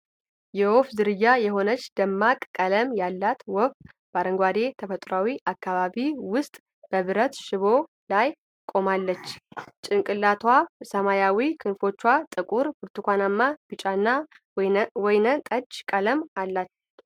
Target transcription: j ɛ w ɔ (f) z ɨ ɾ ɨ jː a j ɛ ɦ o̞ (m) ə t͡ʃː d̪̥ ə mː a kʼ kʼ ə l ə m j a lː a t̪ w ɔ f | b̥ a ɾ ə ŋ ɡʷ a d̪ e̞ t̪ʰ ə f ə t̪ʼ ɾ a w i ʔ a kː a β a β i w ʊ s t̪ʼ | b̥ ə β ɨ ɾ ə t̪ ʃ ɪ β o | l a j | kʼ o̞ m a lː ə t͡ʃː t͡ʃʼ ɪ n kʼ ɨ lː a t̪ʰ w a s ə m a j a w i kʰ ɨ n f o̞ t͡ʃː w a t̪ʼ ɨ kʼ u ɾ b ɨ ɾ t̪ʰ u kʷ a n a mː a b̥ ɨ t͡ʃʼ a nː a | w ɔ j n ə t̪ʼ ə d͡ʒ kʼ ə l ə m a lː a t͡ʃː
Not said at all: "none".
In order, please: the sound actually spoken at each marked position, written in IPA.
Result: f, n

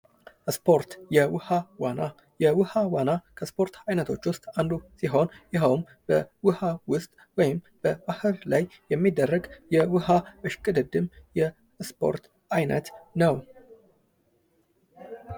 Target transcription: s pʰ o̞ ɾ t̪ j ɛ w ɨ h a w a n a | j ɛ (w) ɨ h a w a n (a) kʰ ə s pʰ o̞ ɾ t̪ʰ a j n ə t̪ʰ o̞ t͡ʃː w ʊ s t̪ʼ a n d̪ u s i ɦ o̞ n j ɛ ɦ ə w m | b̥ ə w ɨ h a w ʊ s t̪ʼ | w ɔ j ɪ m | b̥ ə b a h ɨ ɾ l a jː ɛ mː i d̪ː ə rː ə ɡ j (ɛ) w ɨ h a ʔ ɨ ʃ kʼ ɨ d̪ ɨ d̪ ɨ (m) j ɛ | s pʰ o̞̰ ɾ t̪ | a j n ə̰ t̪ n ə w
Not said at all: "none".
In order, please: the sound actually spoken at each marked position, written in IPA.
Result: w, a, ɛ, m

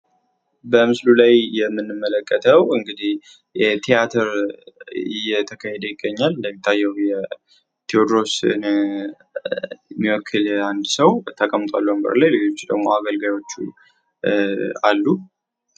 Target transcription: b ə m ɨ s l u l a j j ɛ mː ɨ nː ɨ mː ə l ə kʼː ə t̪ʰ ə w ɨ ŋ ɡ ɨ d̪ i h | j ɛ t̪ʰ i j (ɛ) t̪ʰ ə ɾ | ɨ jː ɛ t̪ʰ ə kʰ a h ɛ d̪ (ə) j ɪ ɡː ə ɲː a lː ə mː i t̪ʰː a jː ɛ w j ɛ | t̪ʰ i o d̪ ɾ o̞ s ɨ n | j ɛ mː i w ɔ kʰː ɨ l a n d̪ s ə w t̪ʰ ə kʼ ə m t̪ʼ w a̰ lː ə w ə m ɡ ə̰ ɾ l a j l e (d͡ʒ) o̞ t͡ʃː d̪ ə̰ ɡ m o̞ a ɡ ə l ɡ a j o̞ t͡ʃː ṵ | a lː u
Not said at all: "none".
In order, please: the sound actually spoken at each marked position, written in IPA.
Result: a, ə, d͡ʒ

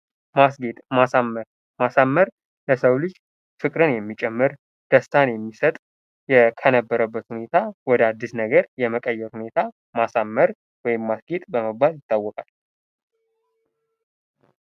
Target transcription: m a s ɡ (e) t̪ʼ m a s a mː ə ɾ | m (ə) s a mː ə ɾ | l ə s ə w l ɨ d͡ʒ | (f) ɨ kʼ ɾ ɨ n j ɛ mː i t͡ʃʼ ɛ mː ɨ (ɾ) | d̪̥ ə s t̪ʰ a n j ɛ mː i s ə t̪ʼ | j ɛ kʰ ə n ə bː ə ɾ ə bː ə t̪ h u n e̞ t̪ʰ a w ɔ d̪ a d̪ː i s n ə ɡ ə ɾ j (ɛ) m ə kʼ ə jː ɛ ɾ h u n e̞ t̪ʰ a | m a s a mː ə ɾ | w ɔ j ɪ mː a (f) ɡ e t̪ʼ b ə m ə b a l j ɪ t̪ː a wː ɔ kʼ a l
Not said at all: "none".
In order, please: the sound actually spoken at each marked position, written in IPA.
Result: e, a, f, ɾ, ɛ, s

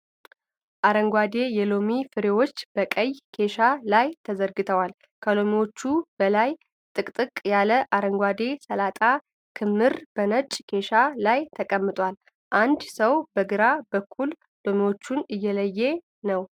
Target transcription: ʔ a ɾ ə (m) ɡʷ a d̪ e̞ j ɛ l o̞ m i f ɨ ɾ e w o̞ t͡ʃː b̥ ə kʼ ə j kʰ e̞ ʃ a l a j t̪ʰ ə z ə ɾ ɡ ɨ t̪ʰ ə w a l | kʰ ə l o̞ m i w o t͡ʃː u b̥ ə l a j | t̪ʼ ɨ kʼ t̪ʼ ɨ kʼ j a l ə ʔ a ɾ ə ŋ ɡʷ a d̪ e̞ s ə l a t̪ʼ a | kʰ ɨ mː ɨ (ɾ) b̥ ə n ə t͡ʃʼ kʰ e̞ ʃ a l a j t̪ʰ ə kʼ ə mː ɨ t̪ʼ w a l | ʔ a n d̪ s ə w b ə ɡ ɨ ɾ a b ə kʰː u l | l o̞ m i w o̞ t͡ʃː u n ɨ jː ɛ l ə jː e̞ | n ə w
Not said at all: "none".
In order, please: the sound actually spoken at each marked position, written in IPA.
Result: ŋ, ɾ

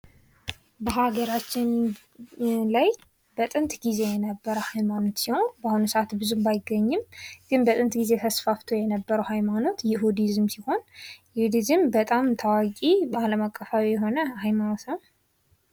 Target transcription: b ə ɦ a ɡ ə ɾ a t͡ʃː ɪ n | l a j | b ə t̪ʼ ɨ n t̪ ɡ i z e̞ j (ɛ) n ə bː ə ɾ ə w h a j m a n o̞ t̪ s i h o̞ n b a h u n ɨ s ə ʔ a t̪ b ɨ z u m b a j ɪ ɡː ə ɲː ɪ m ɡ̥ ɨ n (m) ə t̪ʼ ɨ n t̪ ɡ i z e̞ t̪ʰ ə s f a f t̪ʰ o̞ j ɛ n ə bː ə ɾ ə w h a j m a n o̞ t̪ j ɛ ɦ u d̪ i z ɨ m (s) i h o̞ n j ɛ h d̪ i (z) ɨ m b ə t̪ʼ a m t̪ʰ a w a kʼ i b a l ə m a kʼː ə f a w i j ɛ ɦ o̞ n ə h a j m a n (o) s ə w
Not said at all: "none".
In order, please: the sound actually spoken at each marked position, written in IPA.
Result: ɛ, b, s, z, o

